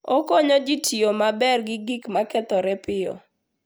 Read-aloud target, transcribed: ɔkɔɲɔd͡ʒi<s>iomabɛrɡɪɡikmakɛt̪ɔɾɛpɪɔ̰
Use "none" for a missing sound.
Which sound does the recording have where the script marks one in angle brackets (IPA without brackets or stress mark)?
t